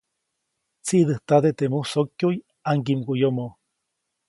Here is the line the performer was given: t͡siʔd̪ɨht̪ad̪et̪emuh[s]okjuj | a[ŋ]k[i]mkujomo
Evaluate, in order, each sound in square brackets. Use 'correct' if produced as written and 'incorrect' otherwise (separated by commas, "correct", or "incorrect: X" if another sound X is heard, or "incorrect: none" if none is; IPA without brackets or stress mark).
correct, correct, correct